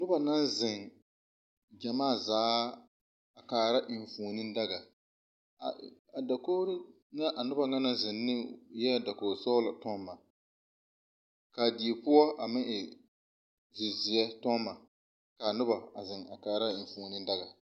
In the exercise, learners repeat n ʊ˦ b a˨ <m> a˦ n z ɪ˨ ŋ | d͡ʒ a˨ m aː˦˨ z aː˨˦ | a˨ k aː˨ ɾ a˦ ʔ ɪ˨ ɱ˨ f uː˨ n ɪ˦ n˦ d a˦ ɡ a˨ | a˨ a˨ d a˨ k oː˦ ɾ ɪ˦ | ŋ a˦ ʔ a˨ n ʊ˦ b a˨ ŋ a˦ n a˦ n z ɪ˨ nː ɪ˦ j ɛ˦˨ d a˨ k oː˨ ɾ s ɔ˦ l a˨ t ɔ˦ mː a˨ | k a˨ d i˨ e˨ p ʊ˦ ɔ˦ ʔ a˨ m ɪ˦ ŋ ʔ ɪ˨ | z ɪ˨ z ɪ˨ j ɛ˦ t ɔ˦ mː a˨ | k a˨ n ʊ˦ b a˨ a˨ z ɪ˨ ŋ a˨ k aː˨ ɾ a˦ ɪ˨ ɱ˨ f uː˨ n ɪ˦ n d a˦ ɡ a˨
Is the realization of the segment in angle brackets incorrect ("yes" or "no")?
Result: yes